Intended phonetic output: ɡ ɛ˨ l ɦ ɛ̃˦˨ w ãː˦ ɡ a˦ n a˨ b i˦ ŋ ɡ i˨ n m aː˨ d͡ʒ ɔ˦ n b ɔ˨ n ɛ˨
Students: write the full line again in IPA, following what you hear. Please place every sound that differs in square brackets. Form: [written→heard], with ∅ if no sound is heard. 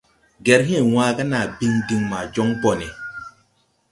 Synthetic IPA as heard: ɡ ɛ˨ [l→ɾ] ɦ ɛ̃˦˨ w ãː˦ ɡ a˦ n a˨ b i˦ ŋ [ɡ→d] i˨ [n→ŋ] m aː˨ d͡ʒ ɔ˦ [n→ŋ] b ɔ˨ n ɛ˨